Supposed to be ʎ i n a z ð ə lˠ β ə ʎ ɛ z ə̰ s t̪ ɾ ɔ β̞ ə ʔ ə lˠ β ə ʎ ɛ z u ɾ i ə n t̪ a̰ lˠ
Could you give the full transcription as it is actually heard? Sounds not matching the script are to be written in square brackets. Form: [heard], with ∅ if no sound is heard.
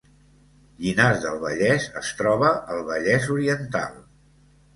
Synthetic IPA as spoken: ʎ i n a z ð ə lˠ β ə ʎ ɛ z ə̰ s t̪ ɾ ɔ β̞ ə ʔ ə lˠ β ə ʎ ɛ z u ɾ i ə n t̪ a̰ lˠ